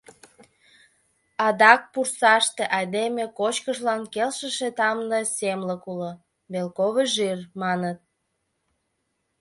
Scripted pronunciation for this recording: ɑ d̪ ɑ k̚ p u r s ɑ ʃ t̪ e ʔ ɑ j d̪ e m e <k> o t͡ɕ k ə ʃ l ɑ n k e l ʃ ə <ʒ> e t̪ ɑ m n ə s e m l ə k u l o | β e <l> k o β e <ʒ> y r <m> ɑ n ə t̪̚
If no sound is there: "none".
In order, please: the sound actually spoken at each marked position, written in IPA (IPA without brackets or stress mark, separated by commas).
k, ʃ, l, ʒ, m